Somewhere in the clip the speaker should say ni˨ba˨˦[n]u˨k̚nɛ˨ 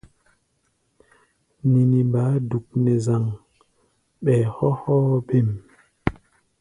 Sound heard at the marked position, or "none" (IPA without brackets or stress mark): d